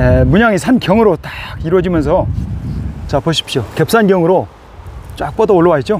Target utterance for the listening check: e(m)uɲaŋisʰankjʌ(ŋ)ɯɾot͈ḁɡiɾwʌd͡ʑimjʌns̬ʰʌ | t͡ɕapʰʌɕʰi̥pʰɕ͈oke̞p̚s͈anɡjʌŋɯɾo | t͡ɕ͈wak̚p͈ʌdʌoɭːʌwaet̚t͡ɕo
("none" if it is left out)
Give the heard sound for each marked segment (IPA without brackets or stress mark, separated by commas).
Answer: m, ŋ